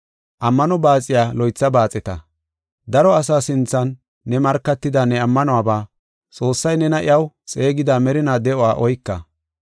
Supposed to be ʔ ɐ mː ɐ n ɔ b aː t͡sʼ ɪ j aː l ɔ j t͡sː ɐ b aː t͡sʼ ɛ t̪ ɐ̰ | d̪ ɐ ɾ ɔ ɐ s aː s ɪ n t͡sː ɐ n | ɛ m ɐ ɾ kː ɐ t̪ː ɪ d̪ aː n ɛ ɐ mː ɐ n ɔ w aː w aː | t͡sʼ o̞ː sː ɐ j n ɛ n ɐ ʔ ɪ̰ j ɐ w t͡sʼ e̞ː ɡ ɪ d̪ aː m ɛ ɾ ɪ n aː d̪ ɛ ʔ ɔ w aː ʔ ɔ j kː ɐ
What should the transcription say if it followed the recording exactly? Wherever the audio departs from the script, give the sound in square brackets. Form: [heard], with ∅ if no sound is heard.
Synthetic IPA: ʔ ɐ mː ɐ n ɔ b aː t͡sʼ ɪ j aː l ɔ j t͡sː ɐ b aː t͡sʼ ɛ t̪ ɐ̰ | d̪ ɐ ɾ ɔ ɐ s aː s ɪ n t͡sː ɐ [nː] | ɛ m ɐ ɾ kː ɐ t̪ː ɪ d̪ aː n ɛ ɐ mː ɐ n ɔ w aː [b] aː | t͡sʼ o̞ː sː ɐ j n ɛ n ɐ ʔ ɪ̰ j ɐ w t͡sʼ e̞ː ɡ ɪ d̪ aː m ɛ ɾ ɪ n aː d̪ ɛ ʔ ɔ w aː ʔ ɔ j kː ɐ